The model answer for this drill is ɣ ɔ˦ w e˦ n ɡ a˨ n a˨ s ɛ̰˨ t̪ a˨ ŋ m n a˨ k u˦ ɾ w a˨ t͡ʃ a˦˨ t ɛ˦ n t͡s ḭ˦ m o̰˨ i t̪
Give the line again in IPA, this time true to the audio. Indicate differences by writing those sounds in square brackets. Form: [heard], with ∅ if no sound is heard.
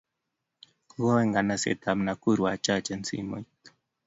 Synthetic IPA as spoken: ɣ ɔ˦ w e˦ [ŋ] ɡ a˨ n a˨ s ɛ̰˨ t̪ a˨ [∅] m n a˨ k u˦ ɾ w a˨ t͡ʃ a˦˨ [t͡ʃ] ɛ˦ n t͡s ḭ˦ m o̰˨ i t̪

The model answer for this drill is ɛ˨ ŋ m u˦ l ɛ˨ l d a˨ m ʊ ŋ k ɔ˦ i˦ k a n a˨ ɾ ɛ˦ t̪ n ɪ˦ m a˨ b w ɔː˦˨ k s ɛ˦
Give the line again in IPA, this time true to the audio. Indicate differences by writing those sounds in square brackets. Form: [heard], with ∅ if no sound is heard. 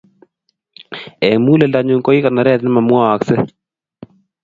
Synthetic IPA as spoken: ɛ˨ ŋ m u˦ l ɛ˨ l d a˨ [ɲ] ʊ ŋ k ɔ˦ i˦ k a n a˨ ɾ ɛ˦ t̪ n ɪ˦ m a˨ [m] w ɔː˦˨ k s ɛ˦

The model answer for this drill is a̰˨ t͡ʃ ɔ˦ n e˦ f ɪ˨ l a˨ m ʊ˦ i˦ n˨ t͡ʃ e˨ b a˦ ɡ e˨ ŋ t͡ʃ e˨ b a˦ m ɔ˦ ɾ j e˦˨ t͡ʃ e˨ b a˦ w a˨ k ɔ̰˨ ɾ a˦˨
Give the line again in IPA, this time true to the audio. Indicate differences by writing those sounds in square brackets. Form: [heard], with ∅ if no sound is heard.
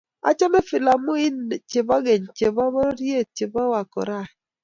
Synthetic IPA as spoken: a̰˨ t͡ʃ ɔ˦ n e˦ f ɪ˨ l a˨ m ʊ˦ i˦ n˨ t͡ʃ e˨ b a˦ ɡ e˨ [ɲ] t͡ʃ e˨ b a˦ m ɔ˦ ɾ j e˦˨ t͡ʃ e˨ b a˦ w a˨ k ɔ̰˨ ɾ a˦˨

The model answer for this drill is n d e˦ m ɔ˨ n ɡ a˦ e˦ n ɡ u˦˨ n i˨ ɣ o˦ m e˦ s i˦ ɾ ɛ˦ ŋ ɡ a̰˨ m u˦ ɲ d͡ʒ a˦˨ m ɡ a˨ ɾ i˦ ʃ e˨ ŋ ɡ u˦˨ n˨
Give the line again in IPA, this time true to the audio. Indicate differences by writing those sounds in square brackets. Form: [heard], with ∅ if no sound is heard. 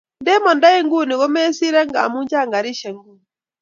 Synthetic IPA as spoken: n d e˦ m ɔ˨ n [d] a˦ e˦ [ŋ] ɡ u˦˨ n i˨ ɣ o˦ m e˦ s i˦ ɾ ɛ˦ ŋ ɡ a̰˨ m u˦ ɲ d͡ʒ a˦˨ [ŋ] ɡ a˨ ɾ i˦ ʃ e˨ ŋ ɡ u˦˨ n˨

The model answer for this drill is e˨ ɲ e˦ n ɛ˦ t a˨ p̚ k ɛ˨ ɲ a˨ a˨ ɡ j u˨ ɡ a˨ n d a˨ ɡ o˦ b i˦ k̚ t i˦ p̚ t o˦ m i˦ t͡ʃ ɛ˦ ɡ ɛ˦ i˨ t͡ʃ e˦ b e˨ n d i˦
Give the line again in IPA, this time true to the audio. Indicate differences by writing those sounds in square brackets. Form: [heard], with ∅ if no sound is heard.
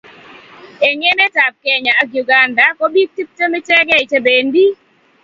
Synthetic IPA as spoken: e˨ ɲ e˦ n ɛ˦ t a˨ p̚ k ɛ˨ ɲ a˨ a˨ ɡ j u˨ ɡ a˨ n d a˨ [k] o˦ b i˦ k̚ t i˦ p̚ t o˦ m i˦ t͡ʃ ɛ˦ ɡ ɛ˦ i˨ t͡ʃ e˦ b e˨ n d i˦

